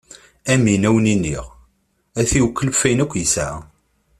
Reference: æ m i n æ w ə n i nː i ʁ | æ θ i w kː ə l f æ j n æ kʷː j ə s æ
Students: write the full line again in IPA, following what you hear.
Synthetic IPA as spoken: æ m i n æ w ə n i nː i ʁ | æ θ i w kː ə l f æ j n æ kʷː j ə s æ

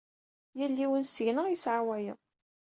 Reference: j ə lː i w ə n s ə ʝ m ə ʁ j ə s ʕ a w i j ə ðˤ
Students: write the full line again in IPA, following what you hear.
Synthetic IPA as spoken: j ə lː i w ə n s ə ʝ n ə ʁ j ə s ʕ a w æ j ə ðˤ

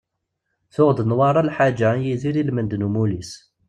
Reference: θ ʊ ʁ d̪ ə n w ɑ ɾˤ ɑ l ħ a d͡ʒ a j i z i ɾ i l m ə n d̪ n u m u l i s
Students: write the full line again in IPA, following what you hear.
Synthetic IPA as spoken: θ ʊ ʁ d̪ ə n w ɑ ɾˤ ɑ l ħ a d͡ʒ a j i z i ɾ i l m ə n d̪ n u m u l i s

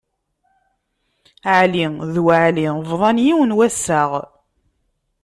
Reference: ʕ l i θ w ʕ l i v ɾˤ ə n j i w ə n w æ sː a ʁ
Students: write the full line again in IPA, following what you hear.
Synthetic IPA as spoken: ʕ l i ð w ʕ l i v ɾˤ ɑ n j i w ə n w æ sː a ʁ

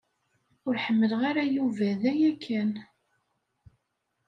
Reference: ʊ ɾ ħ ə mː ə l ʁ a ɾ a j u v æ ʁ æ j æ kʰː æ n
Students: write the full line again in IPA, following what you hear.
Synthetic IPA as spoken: ʊ ɾ ħ ə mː ə l ʁ a ɾ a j u v æ ð æ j æ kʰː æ n

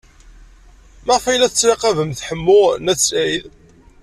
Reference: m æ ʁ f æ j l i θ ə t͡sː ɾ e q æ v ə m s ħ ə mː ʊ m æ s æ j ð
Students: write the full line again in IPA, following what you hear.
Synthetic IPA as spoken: m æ ʁ f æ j l æ θ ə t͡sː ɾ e q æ v ə m θ ħ ə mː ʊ n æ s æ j ð

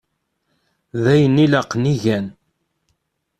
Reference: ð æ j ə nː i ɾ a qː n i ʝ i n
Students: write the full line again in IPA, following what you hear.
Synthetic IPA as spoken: ð æ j ə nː i l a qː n i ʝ æ n

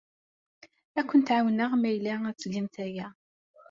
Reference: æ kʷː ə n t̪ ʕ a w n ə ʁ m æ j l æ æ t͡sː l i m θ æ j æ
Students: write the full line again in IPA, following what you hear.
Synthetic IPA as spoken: æ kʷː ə n t̪ ʕ a w n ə ʁ m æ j l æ æ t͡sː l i m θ æ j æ

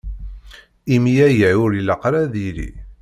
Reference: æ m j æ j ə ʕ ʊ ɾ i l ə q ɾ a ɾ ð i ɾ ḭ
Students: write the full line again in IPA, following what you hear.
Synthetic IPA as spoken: i m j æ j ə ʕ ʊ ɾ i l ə q ɾ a ð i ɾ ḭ

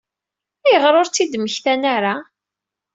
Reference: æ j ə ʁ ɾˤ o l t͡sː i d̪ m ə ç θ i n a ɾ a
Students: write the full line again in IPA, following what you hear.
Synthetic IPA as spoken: æ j ə ʁ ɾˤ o ɾ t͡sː i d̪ m ə ç θ æ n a ɾ a

